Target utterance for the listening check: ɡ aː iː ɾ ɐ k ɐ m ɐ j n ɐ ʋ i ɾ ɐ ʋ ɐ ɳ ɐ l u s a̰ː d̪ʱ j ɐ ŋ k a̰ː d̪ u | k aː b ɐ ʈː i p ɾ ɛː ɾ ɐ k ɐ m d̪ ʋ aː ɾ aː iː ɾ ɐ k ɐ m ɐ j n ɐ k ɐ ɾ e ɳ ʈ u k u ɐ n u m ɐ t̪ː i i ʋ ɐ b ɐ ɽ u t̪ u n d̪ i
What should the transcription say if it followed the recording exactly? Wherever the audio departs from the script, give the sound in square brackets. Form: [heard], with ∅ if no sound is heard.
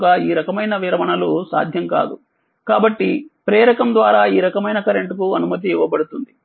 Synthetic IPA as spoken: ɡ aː iː ɾ ɐ k ɐ m ɐ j n ɐ ʋ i ɾ ɐ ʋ ɐ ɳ ɐ l u s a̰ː d̪ʱ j ɐ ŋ k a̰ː d̪ u | k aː b ɐ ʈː i p ɾ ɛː ɾ ɐ k ɐ m d̪ ʋ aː ɾ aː iː ɾ ɐ k ɐ m ɐ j n ɐ k ɐ ɾ e ɳ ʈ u k u ɐ n u m ɐ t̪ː i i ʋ ɐ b ɐ ɽ u t̪ u n d̪ i